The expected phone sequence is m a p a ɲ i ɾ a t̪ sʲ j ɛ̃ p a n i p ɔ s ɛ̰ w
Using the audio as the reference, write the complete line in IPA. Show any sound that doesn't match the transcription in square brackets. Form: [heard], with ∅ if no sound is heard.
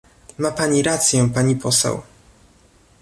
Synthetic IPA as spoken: m a p a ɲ i ɾ a t̪ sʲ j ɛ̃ p a [ɲ] i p ɔ s ɛ̰ w